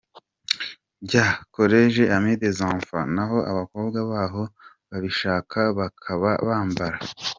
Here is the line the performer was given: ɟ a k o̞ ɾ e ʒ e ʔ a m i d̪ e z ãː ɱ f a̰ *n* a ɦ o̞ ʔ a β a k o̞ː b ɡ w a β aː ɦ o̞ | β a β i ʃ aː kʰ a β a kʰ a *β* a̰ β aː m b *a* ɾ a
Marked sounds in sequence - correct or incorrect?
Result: correct, correct, correct

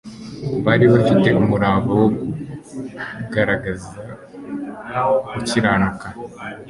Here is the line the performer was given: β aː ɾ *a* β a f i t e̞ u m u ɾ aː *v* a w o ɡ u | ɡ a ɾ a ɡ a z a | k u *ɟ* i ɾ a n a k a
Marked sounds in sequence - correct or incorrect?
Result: incorrect: i, incorrect: β, incorrect: c

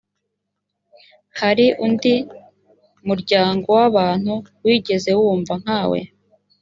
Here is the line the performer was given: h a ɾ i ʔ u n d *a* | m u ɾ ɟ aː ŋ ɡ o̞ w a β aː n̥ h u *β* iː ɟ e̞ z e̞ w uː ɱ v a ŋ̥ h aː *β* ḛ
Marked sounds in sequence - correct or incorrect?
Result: incorrect: i, incorrect: w, incorrect: w

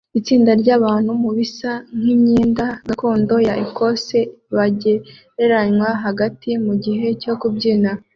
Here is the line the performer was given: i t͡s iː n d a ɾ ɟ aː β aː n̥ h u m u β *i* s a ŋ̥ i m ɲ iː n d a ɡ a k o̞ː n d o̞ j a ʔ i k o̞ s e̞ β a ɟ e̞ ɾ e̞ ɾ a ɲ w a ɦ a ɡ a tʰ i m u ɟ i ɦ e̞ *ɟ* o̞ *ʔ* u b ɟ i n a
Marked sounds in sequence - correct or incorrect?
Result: correct, incorrect: c, incorrect: k

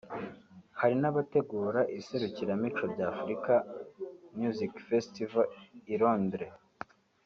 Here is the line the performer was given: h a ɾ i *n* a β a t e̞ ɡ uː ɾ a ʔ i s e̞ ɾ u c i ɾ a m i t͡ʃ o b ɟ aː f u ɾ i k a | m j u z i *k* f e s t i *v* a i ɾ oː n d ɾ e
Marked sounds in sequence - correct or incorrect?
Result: correct, correct, correct

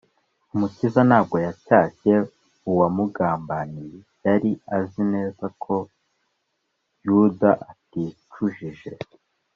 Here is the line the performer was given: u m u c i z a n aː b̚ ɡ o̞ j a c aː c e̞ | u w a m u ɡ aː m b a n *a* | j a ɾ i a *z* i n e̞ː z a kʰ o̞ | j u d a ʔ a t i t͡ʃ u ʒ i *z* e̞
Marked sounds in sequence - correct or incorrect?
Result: incorrect: i, correct, incorrect: ʒ

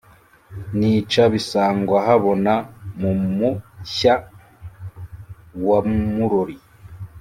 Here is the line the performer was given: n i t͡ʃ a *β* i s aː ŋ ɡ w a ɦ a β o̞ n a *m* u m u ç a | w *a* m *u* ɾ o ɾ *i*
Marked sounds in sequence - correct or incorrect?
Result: correct, correct, correct, correct, correct

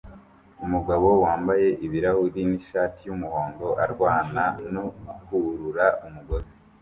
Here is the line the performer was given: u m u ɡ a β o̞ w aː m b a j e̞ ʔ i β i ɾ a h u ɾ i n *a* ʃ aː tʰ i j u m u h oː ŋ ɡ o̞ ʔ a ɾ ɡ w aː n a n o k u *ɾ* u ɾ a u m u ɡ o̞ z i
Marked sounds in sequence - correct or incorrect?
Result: incorrect: i, correct

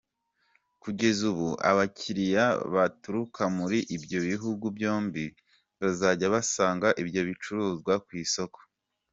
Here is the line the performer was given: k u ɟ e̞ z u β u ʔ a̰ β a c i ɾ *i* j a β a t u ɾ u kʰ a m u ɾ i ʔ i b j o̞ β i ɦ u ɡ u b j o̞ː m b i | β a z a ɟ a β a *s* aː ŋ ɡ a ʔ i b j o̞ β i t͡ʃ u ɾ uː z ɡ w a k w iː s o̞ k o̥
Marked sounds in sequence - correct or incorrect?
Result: correct, correct

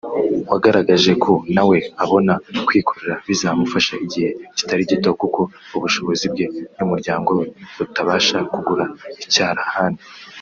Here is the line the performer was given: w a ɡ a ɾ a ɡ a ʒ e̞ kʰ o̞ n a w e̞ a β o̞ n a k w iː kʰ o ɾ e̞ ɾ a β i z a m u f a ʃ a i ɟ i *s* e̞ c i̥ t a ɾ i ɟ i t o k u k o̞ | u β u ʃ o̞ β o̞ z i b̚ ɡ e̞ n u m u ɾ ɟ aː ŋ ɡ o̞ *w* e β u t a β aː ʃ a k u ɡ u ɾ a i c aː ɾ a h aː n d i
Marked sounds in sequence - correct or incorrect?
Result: incorrect: h, correct

